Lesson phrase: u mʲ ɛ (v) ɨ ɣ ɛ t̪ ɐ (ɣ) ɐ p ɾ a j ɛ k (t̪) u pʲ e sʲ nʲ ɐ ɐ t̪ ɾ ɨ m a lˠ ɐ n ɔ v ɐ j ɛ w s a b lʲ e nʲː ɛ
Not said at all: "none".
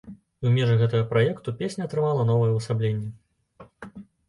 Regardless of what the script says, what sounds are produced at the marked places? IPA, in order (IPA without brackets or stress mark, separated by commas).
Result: ʐ, ɣ, t̪